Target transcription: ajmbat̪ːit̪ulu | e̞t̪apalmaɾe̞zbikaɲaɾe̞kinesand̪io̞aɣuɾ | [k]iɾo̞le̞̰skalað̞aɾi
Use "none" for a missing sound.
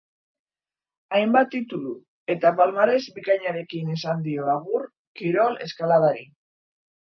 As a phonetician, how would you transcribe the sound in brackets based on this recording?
k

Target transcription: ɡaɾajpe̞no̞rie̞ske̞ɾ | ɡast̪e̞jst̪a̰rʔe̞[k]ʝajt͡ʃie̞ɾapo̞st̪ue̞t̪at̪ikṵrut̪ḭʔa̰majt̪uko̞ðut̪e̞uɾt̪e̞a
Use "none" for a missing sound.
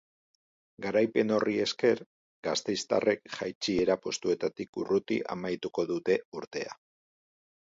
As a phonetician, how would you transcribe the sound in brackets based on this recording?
k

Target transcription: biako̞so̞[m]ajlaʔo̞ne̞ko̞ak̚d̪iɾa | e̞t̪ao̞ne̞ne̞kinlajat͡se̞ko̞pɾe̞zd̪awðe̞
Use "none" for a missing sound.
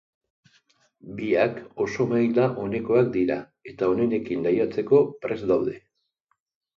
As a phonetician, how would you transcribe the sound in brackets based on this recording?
m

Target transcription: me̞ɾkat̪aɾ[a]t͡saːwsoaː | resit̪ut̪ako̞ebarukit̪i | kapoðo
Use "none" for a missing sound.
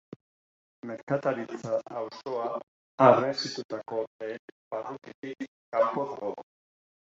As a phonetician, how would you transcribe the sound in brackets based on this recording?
i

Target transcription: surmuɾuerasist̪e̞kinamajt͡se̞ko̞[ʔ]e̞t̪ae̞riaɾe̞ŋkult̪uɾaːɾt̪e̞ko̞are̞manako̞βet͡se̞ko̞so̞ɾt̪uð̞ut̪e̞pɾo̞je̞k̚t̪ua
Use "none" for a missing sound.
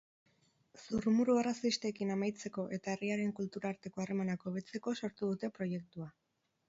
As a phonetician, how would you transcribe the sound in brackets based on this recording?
ʔ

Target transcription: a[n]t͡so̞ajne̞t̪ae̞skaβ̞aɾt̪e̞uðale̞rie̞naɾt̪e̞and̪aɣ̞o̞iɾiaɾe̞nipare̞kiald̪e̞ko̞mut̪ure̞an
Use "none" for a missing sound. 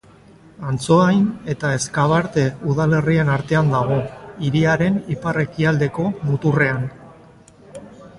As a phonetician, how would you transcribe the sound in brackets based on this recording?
n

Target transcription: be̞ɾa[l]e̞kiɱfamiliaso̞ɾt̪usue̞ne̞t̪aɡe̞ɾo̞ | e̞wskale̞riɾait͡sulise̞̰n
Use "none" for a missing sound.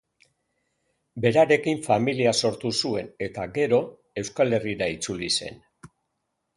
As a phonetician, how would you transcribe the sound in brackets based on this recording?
ɾ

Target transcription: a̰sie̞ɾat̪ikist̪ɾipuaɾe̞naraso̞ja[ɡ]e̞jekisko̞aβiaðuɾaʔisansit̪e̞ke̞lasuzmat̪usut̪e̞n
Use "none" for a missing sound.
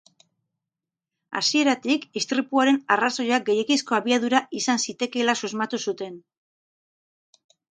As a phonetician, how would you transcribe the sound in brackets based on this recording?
ɡ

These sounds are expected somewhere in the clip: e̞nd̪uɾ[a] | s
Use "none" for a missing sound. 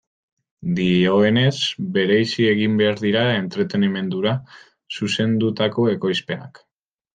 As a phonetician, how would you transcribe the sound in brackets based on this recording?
a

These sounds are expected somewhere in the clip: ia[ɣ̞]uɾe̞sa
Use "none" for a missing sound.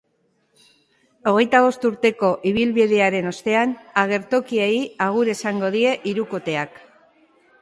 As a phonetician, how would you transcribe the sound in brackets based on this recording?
ɣ̞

